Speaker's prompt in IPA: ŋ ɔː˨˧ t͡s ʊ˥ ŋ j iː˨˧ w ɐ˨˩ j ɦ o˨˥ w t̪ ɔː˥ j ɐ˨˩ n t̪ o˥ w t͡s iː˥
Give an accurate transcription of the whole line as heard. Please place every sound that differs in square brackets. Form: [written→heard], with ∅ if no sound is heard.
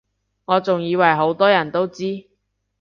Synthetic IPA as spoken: ŋ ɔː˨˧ t͡s [ʊ˥→ʊ˨] ŋ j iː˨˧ w ɐ˨˩ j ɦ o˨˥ w t̪ ɔː˥ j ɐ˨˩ n t̪ o˥ w t͡s iː˥

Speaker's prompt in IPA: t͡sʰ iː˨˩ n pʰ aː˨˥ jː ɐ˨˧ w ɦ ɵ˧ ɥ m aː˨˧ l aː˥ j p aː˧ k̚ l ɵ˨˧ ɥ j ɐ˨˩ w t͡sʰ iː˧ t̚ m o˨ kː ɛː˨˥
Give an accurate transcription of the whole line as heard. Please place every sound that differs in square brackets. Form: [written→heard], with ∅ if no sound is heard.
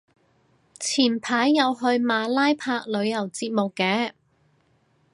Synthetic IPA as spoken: t͡sʰ iː˨˩ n pʰ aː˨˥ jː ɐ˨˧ w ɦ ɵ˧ ɥ m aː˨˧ l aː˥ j [p→pʰ] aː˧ k̚ l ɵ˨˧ ɥ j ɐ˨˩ w [t͡sʰ→t͡s] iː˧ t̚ m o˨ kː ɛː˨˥

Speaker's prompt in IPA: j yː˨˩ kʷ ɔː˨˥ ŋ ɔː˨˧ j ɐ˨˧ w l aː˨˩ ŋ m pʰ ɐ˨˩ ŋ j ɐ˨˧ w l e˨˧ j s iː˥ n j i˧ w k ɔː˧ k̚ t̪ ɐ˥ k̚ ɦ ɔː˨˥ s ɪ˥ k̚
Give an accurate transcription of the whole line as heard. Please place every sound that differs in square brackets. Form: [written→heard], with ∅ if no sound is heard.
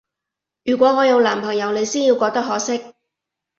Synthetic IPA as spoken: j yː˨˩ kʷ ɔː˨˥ ŋ ɔː˨˧ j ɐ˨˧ w l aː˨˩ [ŋ→∅] m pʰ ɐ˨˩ ŋ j ɐ˨˧ w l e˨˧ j s iː˥ n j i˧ w k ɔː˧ k̚ t̪ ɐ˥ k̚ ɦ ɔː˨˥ s ɪ˥ k̚

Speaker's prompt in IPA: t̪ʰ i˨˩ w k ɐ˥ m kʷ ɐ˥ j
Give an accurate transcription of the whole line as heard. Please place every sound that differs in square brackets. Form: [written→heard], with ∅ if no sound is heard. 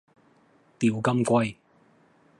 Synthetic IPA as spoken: [t̪ʰ→t̪] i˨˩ w k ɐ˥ m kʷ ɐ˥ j

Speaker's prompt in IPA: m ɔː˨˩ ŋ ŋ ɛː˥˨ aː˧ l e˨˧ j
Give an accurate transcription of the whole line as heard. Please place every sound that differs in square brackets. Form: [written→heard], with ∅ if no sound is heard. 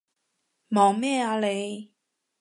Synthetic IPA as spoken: m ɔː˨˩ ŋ [ŋ→m] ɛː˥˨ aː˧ l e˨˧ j

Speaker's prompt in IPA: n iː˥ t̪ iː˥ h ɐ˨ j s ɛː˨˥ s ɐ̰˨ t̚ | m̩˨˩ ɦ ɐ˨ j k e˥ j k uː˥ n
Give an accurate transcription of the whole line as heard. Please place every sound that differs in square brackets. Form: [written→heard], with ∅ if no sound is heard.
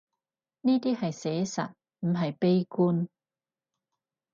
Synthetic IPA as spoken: n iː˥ t̪ iː˥ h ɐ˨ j s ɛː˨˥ s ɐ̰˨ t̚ | m̩˨˩ ɦ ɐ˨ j [k→p] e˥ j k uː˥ n

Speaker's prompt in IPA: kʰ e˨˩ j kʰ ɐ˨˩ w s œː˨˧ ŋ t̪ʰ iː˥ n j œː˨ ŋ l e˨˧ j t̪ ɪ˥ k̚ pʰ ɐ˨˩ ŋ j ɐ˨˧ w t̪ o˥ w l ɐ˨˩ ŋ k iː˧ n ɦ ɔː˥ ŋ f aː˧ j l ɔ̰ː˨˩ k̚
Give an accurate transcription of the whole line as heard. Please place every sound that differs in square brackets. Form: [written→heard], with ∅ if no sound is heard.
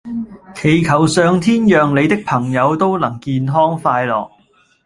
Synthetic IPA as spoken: kʰ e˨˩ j kʰ ɐ˨˩ w s œː˨˧ ŋ t̪ʰ iː˥ n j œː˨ ŋ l e˨˧ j t̪ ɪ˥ k̚ pʰ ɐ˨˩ ŋ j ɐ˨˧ w t̪ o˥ w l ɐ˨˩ ŋ k iː˧ n ɦ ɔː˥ ŋ f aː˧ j l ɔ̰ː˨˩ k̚

